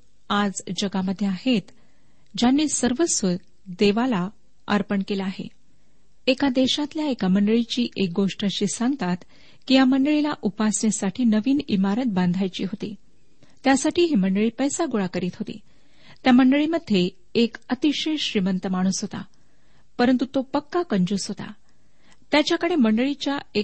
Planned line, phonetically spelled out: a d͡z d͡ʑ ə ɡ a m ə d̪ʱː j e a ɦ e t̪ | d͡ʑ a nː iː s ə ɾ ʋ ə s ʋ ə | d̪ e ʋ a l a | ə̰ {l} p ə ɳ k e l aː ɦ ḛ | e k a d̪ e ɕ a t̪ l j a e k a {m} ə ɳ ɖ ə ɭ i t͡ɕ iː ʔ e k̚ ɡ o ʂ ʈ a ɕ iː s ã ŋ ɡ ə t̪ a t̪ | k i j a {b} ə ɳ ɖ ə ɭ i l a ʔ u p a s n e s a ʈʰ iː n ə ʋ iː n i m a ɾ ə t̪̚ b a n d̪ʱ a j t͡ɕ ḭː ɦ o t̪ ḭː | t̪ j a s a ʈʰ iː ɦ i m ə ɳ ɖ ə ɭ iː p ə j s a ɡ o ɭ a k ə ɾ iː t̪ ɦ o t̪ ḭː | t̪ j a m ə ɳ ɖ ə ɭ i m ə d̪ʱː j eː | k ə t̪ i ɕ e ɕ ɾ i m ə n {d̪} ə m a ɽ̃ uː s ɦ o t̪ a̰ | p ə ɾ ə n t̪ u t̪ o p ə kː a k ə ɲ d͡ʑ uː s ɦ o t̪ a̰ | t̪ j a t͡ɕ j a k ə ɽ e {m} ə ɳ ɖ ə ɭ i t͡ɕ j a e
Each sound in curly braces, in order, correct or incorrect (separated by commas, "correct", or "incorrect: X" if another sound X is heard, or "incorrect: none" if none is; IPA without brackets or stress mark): incorrect: ɾ, correct, incorrect: m, incorrect: t̪, correct